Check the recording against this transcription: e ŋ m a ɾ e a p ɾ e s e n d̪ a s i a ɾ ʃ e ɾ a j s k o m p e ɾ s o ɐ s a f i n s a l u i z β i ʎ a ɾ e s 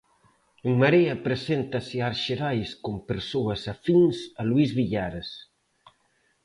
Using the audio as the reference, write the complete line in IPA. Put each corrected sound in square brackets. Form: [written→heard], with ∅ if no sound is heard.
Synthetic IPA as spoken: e ŋ m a ɾ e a p ɾ e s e n [d̪→t̪] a s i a ɾ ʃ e ɾ a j s k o m p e ɾ s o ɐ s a f i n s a l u i z β i ʎ a ɾ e s

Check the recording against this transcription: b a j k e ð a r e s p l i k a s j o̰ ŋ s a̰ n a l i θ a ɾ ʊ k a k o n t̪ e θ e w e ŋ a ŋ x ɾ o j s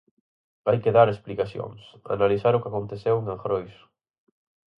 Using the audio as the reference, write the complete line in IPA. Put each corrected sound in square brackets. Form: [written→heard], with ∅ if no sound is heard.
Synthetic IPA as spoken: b a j k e ð a [r→ɾ] e s p l i k a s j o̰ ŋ s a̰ n a l i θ a ɾ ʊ k a k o n t̪ e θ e w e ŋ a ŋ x ɾ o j s

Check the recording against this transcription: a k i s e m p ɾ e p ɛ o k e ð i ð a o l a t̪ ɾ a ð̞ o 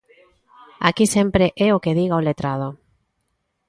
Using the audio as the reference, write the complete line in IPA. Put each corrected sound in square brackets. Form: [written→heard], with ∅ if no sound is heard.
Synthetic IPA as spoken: a k i s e m p ɾ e [p→ʔ] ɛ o k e ð i [ð→ɣ] a o l [a→e] t̪ ɾ a ð̞ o

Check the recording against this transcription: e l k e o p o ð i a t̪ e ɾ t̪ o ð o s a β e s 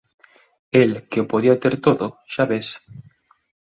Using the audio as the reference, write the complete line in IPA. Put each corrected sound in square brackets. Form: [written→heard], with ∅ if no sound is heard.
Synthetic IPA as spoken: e l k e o p o ð i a t̪ e ɾ t̪ o ð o [s→ʃ] a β e s

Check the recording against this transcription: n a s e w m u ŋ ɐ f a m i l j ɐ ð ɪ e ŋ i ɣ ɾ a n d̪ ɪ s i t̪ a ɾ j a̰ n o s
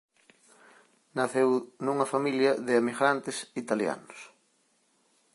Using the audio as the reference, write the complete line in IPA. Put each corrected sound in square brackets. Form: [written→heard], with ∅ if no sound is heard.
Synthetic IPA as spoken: n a [s→θ] e w [m→n] u ŋ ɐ f a m i l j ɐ ð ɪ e [ŋ→m] i ɣ ɾ a n [d̪→t̪] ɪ s i t̪ a [ɾ→l] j a̰ n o s

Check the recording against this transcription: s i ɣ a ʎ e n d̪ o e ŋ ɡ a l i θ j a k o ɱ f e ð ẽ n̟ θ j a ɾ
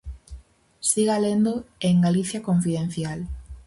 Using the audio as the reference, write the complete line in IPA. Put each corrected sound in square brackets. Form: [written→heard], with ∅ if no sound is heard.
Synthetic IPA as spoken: s i ɣ a [ʎ→l] e n d̪ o e ŋ ɡ a l i θ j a k o ɱ f [e→i] ð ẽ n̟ θ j a [ɾ→l]

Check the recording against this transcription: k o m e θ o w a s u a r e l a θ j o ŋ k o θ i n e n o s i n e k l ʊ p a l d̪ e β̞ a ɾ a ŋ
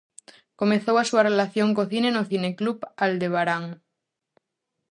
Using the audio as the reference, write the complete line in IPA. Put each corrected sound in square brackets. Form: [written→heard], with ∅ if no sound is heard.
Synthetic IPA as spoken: k o m e θ o w a s u a r e l a θ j o ŋ k o θ i n e n o [s→θ] i n e k l [ʊ→u] p a l d̪ e β̞ a ɾ a ŋ

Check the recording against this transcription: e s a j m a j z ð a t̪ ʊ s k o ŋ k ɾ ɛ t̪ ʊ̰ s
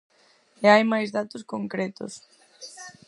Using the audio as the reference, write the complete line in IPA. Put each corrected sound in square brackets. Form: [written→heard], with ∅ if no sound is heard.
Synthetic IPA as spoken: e [s→∅] a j m a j z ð a t̪ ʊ s k o ŋ k ɾ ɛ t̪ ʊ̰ s

